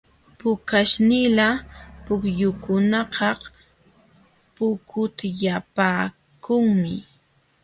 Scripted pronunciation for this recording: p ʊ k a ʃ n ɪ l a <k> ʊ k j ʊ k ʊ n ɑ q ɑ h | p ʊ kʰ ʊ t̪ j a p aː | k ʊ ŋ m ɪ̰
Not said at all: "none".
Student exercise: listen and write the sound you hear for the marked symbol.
p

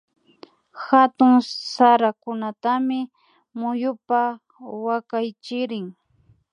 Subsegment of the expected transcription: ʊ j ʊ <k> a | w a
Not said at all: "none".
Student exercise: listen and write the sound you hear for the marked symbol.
p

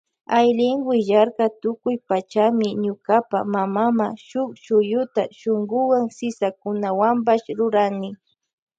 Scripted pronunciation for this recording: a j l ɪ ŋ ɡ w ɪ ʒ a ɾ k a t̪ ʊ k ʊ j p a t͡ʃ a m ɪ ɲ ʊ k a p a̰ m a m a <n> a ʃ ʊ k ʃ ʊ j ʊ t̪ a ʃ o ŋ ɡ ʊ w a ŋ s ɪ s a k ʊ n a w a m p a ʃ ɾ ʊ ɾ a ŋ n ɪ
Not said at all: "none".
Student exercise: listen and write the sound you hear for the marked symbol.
m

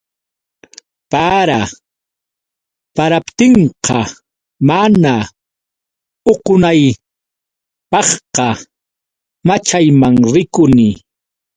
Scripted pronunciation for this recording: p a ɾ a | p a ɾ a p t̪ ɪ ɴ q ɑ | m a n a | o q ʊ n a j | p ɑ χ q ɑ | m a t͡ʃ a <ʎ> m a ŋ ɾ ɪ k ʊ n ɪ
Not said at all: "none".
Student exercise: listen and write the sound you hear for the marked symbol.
j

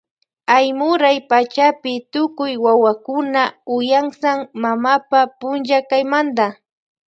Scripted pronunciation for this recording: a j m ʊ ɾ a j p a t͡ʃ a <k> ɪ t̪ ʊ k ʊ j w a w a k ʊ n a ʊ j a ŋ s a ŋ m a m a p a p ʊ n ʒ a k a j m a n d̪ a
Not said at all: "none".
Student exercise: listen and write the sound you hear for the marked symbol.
p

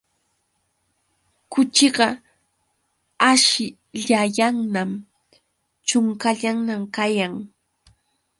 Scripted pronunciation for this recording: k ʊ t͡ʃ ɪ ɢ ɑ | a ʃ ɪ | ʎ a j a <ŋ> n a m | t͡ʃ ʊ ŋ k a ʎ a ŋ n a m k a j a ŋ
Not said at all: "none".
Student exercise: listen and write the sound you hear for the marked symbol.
ŋ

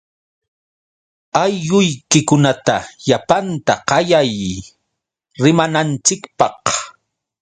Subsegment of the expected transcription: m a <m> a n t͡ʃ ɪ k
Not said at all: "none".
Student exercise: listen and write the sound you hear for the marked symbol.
n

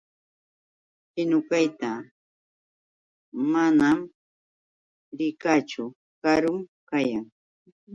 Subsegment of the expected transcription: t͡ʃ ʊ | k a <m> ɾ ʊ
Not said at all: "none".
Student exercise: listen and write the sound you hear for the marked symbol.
none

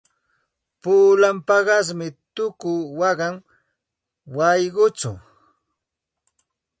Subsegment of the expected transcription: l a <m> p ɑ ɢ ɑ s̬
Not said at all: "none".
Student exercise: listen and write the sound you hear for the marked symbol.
m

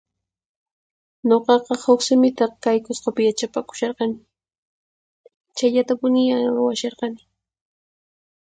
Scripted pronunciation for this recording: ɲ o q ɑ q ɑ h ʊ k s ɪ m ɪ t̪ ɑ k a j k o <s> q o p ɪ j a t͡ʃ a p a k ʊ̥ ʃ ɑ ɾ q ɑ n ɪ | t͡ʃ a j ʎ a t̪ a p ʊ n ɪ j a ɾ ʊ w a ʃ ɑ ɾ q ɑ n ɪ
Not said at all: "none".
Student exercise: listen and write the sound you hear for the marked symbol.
s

